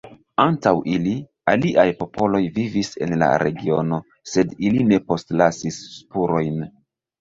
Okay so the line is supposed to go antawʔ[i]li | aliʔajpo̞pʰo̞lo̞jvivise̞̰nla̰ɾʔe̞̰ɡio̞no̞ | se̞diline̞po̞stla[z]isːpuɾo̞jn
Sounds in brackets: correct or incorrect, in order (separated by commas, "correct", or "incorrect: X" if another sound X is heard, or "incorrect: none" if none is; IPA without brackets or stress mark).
correct, incorrect: s